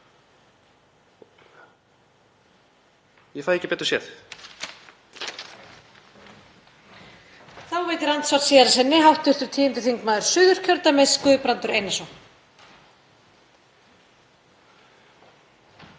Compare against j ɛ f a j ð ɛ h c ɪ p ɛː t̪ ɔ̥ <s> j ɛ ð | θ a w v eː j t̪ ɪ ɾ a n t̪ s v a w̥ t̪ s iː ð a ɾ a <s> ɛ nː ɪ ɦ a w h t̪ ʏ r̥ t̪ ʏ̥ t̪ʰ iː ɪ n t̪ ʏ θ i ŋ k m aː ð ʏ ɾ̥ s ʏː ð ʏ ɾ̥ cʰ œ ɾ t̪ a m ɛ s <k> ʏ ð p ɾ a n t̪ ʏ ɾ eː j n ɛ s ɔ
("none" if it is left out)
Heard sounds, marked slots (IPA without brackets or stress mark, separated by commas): s, s, k